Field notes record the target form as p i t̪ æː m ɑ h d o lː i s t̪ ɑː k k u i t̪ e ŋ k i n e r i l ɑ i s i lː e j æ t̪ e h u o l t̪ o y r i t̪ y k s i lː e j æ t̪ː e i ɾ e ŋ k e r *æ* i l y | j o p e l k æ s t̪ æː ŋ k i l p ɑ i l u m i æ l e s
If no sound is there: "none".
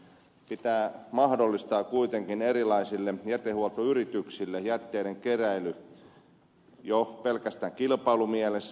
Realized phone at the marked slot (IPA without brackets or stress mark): æ